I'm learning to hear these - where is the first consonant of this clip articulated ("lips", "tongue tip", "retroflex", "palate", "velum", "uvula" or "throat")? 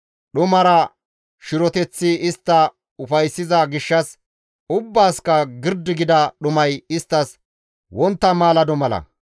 tongue tip